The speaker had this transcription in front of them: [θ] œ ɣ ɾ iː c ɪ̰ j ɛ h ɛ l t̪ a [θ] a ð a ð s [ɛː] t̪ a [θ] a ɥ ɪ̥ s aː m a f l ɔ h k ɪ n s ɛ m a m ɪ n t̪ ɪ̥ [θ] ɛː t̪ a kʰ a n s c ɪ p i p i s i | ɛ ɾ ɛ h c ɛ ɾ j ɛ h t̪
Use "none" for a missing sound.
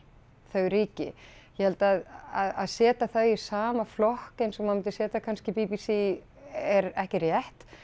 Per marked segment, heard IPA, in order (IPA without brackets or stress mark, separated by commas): θ, ð, ɛː, θ, s